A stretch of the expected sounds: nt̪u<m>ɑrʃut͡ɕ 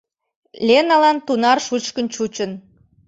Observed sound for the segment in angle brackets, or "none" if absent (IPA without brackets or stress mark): n